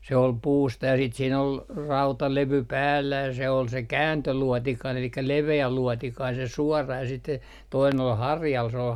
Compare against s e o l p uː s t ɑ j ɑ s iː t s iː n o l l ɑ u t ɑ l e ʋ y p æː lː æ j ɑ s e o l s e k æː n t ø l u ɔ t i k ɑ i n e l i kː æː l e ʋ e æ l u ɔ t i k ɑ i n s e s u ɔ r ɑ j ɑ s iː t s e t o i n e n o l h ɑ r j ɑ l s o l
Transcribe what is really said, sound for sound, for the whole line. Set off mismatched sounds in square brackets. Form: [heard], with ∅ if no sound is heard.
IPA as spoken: s e o l p uː s t ɑ j ɑ s iː t s iː n o l [r] ɑ u t ɑ l e ʋ y p æː lː æ j ɑ s e o l s e k æː n t ø l u ɔ t i k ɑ i n e l i kː [æ] l e ʋ e æ l u ɔ t i k ɑ i n s e s u ɔ r ɑ j ɑ s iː t s e t o i n e n o l h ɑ r j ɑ l s o l

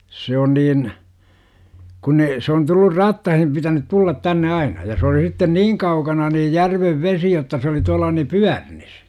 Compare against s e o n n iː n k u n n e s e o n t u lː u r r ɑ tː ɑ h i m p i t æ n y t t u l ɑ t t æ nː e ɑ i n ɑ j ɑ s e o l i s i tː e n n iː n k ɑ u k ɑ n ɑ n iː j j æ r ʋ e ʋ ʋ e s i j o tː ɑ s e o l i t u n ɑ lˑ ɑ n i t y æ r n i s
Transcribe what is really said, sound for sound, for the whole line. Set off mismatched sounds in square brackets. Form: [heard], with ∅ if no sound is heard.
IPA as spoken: s e o n n iː n k u n n e s e o n t u lː u r r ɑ tː ɑ h i m p i t æ n y t t u [lː] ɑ t t æ nː e ɑ i n ɑ j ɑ s e o l i s i tː e n n iː [ŋ] k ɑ u k ɑ n ɑ n iː j j æ r ʋ e ʋ ʋ e s i j o tː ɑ s e o l i t u [∅] ɑ lˑ ɑ n i [p] y æ r n i s

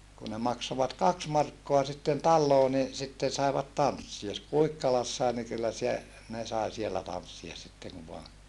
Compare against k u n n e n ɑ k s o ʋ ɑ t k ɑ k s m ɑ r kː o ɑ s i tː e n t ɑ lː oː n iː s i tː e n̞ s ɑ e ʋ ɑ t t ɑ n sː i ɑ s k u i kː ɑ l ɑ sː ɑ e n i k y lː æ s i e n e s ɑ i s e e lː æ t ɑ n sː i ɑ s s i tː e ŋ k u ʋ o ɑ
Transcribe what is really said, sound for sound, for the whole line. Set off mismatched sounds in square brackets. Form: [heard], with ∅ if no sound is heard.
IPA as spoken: k u n n e [m] ɑ k s o ʋ ɑ t k ɑ k s m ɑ r kː o ɑ s i tː e n t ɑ lː oː n [i] s i tː e n̞ s ɑ e ʋ ɑ t t ɑ n sː i ɑ s k u i kː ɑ l ɑ sː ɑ e n i k y lː æ s i e n e s ɑ i s [i] e lː æ t ɑ n sː i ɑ s s i tː e ŋ k u ʋ o ɑ

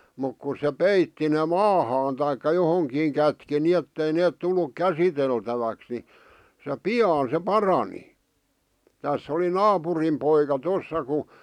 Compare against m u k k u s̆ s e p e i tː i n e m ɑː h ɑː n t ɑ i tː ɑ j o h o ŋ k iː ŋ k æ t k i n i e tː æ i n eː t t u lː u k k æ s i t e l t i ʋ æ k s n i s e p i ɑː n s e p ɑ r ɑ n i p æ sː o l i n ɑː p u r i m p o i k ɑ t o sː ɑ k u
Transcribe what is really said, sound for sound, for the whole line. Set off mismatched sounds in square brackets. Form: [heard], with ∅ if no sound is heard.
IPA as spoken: m u k k u s̆ s e p e i tː i n e m ɑː h ɑː n t ɑ i [kː] ɑ j o h o ŋ k iː ŋ k æ t k i n i e tː [e] i n eː t t u lː u k k æ s i t e l t [æ] ʋ æ k s n i s e p i ɑː n s e p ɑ r ɑ n i [t] æ sː o l i n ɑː p u r i m p o i k ɑ t o sː ɑ k u

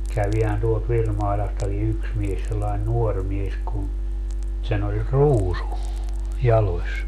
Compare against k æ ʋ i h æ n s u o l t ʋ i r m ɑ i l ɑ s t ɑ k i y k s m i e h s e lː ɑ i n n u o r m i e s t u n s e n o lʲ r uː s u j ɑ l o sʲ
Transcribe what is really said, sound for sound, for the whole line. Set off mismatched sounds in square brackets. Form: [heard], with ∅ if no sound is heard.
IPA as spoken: k æ ʋ i h æ n [t] u o l t ʋ i r m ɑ i l ɑ s t ɑ k i y k s m i e [s] s e lː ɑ i n n u o r m i e s [k] u n s e n o lʲ r uː s u j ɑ l o sʲ

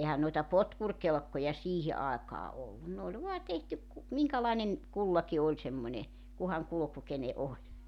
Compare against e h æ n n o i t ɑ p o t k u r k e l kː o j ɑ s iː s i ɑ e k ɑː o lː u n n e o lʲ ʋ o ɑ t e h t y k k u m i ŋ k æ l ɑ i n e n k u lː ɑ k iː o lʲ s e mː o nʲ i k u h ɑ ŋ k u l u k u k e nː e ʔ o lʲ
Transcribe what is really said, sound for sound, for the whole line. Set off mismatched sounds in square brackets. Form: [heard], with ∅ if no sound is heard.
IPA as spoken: e h æ n n o i t ɑ p o t k u r k e l kː o j ɑ s iː [h] i ɑ e k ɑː o lː u n n e o lʲ ʋ o ɑ t e h t y k k u m i ŋ k æ l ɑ i n e n k u lː ɑ k [i] o lʲ s e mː o nʲ [e] k u h ɑ ŋ k u l u k u k e [n] e ʔ o lʲ

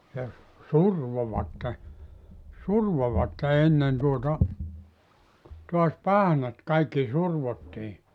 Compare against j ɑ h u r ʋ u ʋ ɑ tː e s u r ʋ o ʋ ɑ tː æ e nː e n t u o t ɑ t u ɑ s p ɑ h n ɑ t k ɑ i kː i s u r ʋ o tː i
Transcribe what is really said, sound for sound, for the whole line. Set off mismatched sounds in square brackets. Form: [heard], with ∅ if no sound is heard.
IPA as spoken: j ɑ [s] u r ʋ [o] ʋ ɑ tː e s u r ʋ o ʋ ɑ tː [e] e nː e n t u o t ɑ t u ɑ s p ɑ h n ɑ t k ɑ i kː i s u r ʋ o tː i

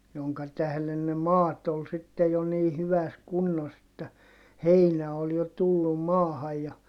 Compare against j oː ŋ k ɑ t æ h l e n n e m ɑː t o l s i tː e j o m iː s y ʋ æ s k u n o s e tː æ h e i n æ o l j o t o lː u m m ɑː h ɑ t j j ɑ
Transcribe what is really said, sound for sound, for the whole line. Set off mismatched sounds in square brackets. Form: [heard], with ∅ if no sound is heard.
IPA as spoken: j [o] ŋ k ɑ t æ h l e n n e m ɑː t o l s i tː e j o [n] iː [h] y ʋ æ s k u [nː] o s e tː æ h e i n æ o l j o t [u] lː u m m ɑː h ɑ [∅] j j ɑ

